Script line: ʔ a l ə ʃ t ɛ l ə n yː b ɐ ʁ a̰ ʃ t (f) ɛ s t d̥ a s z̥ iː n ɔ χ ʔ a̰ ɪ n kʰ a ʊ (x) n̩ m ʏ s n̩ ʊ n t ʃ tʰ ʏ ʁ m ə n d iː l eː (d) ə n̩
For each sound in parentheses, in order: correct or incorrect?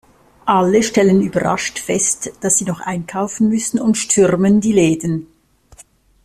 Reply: correct, incorrect, correct

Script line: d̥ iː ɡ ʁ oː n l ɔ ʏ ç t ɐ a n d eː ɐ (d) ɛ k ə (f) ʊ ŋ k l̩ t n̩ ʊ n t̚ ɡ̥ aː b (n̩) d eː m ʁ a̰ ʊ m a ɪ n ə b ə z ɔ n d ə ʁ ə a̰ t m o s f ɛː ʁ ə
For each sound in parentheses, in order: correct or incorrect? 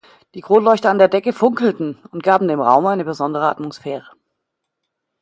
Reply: correct, correct, incorrect

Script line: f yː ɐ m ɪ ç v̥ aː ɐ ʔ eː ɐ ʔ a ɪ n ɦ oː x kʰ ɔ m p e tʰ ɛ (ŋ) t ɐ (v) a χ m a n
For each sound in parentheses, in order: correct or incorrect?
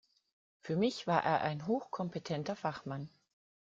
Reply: incorrect, incorrect

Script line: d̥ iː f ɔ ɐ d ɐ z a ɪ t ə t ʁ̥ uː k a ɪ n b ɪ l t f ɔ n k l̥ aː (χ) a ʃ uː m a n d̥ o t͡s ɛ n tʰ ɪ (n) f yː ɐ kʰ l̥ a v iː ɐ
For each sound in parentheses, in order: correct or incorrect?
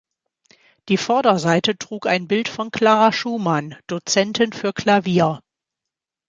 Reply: incorrect, correct

